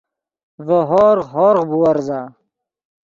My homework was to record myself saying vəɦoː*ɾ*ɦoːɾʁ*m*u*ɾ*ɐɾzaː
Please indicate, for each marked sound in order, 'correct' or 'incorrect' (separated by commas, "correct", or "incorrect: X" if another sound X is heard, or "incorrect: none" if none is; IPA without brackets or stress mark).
correct, incorrect: b, incorrect: none